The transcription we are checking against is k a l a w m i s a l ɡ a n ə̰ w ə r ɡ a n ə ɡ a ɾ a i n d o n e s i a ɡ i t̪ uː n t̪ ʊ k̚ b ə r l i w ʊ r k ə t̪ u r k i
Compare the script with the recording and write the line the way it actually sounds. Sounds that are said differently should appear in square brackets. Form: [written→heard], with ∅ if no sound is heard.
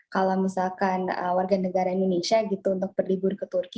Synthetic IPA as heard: k a l a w m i s a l [ɡ→k] a n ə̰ w [ə→a] r ɡ a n ə ɡ a ɾ a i n d o n e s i a ɡ i t̪ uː n t̪ ʊ k̚ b ə r l i [w→b] ʊ r k ə t̪ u r k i